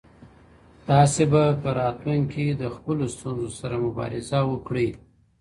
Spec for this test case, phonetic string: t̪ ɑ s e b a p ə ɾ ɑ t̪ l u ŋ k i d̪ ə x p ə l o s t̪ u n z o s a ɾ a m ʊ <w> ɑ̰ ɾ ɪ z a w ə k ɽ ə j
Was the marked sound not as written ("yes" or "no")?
yes